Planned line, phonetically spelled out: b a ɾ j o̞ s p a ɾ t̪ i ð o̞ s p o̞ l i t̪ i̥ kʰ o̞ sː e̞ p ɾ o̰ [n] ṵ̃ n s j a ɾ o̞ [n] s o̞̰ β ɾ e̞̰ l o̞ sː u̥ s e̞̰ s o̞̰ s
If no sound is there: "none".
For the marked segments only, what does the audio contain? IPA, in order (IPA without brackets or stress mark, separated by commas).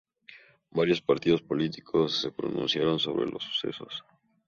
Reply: n, n